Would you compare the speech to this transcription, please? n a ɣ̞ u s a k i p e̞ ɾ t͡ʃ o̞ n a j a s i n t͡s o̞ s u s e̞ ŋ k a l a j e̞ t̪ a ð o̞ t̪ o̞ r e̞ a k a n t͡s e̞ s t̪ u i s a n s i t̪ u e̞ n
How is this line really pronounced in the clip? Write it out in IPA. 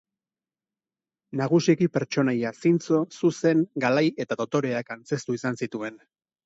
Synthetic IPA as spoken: n a ɣ̞ u s i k i p e̞ ɾ t͡ʃ o̞ n a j a s i n t͡s o̞ s u s e̞ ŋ ɡ a l a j e̞ t̪ a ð o̞ t̪ o̞ ɾ e̞ a k a n t͡s e̞ s t̪ u i s a n s i t̪ u e̞ n

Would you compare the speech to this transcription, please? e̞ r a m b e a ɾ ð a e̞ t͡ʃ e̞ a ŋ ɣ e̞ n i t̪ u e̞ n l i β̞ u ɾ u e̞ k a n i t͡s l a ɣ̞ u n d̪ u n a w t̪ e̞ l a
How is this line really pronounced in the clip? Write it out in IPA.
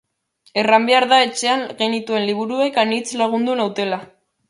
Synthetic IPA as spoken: e̞ r a m b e a ɾ ð a e̞ t͡ʃ e̞ a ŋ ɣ e̞ n i t̪ u e̞ n l i β̞ u ɾ u e̞ k a n i t͡s l a ɣ̞ u n d̪ u n a w t̪ e̞ l a

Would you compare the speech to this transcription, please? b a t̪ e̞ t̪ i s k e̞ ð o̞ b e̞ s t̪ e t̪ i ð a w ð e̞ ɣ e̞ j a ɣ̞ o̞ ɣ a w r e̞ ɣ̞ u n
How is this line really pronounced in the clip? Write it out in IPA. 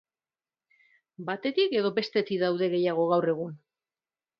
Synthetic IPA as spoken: b a t̪ e̞ t̪ i k e̞ ð o̞ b e̞ s t̪ e t̪ i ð a w ð e̞ ɣ e̞ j a ɣ̞ o̞ ɣ a w r e̞ ɣ̞ u n

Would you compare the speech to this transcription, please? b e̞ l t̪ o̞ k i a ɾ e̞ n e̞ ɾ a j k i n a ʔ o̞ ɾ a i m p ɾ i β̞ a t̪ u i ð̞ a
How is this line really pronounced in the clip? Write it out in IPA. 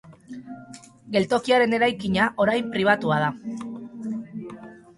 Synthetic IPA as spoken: ɡ e̞ l t̪ o̞ k i a ɾ e̞ n e̞ ɾ a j k i ɲ a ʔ o̞ ɾ a j m p ɾ i β̞ a t̪ u a ð̞ a

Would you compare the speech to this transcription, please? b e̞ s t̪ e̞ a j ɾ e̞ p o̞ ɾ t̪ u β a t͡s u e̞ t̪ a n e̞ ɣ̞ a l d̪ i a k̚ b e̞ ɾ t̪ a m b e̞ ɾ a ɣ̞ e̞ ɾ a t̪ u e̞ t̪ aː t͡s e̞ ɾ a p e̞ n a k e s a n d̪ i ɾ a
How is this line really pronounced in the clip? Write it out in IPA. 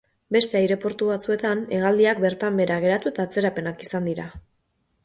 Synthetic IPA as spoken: b e̞ s t̪ e̞ a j ɾ e̞ p o̞ ɾ t̪ u β a t͡s u e̞ t̪ a n e̞ ɣ̞ a l d̪ i a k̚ b e̞ ɾ t̪ a m b e̞ ɾ a ɣ̞ e̞ ɾ a t̪ u e̞ t̪ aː t͡s e̞ ɾ a p e̞ n a k i s a n d̪ i ɾ a

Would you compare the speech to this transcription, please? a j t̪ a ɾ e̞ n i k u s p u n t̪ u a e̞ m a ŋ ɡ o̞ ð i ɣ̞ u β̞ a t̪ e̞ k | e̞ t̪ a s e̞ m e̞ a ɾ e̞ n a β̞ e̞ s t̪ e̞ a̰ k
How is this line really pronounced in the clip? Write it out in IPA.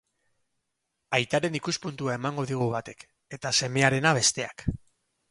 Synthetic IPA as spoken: a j t̪ a ɾ e̞ n i k u s p u n t̪ u a e̞ m a ŋ ɡ o̞ ð i ɣ̞ u β̞ a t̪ e̞ k | e̞ t̪ a s e̞ m e̞ a ɾ e̞ n a β̞ e̞ s t̪ e̞ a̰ k

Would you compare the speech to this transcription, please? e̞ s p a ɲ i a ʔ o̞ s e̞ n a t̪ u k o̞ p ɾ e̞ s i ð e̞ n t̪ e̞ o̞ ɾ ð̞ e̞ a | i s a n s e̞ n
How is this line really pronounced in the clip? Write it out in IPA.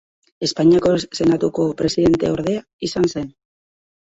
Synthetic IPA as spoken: e̞ s p a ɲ i a k o̞ s e̞ n a t̪ u k o̞ p ɾ e̞ s i ð e̞ n t̪ e̞ o̞ ɾ ð̞ e̞ a | i s a n s e̞ n

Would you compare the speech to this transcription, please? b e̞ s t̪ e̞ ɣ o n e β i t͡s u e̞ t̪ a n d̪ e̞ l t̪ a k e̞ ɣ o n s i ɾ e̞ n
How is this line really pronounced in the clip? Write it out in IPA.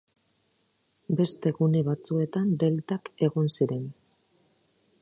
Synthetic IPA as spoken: b e̞ s t̪ e̞ ɣ u n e β a t͡s u e̞ t̪ a n d̪ e̞ l t̪ a k e̞ ɣ o n s i ɾ e̞ n

